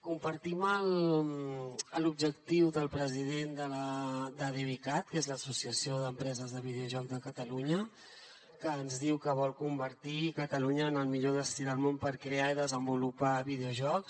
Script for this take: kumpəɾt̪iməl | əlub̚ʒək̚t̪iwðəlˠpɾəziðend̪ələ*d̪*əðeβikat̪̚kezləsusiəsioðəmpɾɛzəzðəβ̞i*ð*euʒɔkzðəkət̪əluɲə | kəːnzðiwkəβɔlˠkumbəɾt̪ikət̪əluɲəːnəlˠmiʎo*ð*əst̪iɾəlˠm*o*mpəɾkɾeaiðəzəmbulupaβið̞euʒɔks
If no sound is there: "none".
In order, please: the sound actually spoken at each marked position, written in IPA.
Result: d̪, ð, ð, o

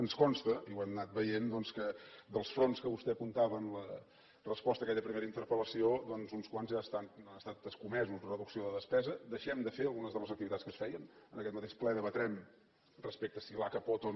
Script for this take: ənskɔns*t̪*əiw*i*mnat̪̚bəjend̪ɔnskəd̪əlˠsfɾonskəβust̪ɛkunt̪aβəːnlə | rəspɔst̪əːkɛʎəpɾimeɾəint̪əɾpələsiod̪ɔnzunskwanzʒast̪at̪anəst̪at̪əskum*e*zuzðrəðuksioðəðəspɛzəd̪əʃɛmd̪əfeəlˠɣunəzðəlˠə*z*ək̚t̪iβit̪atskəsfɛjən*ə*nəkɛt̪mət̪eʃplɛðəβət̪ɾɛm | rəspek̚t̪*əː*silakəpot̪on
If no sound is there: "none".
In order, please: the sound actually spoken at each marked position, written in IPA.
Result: t̪, ɛ, ɛ, z, ə, ə

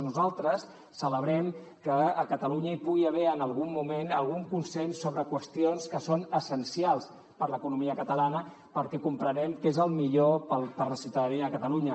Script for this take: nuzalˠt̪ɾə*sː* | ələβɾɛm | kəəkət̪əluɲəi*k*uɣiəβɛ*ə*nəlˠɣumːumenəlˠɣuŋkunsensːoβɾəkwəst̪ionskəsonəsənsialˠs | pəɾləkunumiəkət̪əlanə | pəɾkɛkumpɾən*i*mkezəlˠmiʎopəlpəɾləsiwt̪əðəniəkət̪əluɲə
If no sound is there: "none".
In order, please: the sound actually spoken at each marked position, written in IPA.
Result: sː, p, ə, ɛ

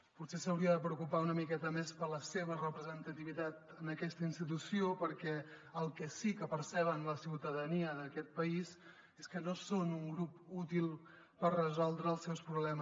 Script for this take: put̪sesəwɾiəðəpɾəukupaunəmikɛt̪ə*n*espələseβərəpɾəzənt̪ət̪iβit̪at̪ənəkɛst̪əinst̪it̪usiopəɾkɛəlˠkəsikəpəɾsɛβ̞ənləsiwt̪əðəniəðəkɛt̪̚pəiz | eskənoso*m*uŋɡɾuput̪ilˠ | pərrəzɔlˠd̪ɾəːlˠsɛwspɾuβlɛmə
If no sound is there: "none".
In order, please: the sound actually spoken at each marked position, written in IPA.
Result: m, n

